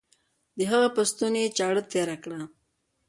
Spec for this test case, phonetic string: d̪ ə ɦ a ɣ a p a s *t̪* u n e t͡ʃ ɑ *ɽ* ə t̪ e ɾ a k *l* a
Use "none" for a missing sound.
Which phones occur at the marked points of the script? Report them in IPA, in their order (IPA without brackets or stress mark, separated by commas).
t̪, ɽ, ɽ